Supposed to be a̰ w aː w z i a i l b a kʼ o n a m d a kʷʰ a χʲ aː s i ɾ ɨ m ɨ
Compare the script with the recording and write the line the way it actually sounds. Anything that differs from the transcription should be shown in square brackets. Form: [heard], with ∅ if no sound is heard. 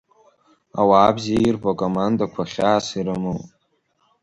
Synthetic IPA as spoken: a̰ w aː [b] z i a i [r] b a kʼ o [m] a [n] d a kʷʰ a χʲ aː s i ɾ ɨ m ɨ